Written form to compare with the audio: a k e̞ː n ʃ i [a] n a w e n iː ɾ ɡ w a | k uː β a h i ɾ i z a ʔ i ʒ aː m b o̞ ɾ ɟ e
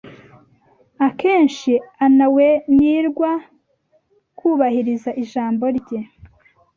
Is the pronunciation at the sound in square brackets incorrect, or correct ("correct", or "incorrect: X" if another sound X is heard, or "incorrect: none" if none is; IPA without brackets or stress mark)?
correct